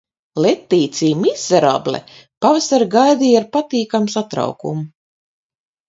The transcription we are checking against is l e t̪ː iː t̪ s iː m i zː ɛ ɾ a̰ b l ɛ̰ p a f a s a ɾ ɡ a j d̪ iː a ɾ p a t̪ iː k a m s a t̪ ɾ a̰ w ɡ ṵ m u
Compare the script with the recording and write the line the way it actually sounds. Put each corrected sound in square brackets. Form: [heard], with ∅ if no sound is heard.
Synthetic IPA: l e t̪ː iː t̪ s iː m i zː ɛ ɾ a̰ b l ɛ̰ p a [v] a s a ɾ ɡ a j d̪ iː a ɾ p a t̪ iː k a m s a t̪ ɾ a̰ w [k] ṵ m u